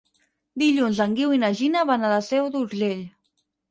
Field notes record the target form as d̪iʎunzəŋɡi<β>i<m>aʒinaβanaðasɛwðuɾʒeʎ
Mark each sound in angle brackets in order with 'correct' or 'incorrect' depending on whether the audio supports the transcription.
incorrect: w, incorrect: n

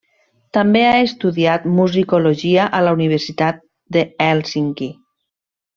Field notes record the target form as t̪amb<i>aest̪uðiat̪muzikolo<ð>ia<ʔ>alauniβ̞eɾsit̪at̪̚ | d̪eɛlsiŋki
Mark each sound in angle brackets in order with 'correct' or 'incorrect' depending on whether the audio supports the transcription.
incorrect: e, incorrect: ʒ, correct

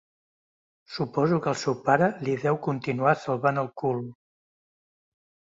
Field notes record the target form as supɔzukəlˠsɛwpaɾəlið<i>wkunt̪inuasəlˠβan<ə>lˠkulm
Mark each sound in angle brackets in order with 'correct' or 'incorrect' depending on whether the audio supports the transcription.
incorrect: ɛ, correct

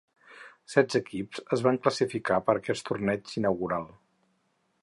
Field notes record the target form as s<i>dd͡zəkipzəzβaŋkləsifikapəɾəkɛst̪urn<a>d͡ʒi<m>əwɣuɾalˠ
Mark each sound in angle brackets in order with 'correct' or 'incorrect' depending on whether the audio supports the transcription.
incorrect: ɛ, incorrect: ɛ, incorrect: n

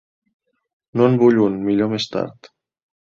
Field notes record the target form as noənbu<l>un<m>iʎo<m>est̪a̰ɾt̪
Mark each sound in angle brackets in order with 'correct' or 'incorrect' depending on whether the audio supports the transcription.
incorrect: ʎ, correct, correct

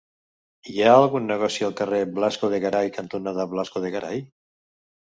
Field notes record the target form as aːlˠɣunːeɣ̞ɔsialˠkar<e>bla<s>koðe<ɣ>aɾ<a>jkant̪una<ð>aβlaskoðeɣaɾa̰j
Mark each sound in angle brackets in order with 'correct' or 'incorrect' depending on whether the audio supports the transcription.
correct, correct, correct, correct, correct

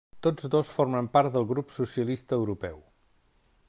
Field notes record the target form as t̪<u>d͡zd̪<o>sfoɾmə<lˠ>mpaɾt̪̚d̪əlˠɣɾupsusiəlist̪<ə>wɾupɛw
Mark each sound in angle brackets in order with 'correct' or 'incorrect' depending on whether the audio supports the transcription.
incorrect: o, correct, incorrect: none, incorrect: əː

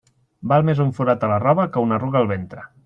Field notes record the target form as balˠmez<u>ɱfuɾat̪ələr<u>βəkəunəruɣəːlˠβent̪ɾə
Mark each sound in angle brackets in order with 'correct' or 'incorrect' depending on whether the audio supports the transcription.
correct, incorrect: ɔ

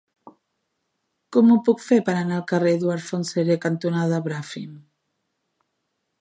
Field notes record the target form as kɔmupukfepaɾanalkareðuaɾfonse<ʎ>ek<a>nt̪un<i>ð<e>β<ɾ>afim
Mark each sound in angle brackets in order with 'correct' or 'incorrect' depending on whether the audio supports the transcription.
incorrect: ɾ, correct, incorrect: a, incorrect: a, correct

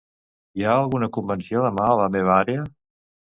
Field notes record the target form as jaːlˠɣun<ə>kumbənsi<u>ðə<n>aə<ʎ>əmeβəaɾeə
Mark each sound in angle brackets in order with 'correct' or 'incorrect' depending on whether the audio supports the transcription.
correct, incorrect: o, incorrect: m, incorrect: l

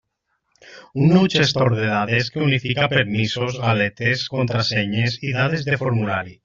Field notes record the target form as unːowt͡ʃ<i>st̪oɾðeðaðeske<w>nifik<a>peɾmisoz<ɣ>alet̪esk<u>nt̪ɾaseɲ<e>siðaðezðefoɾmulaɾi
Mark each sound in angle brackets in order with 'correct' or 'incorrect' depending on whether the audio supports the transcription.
incorrect: e, incorrect: u, correct, correct, incorrect: o, correct

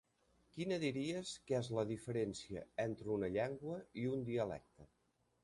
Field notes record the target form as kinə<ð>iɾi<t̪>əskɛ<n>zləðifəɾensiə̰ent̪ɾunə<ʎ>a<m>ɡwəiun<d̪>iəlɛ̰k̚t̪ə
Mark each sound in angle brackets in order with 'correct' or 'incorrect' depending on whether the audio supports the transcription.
correct, incorrect: none, incorrect: none, correct, incorrect: ŋ, correct

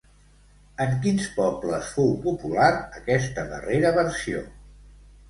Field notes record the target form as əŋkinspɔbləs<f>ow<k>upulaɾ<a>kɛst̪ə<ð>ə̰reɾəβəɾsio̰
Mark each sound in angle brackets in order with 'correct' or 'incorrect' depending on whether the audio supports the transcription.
correct, incorrect: p, incorrect: ə, correct

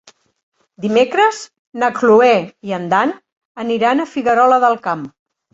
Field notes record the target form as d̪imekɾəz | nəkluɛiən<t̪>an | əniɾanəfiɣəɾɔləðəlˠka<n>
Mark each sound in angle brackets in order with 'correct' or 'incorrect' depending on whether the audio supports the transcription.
incorrect: d̪, incorrect: m

